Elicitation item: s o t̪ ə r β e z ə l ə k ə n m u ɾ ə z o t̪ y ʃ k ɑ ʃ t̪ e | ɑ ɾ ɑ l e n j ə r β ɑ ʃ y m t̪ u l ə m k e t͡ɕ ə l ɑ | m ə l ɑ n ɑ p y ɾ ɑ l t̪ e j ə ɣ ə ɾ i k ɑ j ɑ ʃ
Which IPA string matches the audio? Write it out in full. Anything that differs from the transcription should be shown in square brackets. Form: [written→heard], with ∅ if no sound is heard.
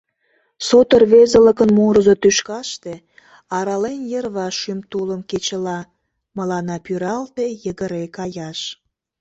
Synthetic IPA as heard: s o t̪ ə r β e z ə l ə k ə n m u ɾ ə z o t̪ y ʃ k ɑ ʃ t̪ e | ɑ ɾ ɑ l e n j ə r β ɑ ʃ y m t̪ u l ə m k e t͡ɕ ə l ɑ | m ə l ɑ n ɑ p y ɾ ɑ l t̪ e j ə ɣ ə ɾ [i→e] k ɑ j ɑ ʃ